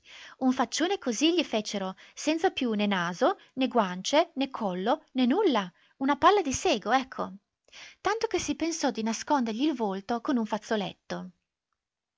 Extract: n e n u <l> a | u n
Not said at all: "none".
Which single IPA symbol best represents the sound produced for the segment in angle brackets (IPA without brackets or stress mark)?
lː